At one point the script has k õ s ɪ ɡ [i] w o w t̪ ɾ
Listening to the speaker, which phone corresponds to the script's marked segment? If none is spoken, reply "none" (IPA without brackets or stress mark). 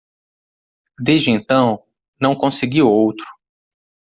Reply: i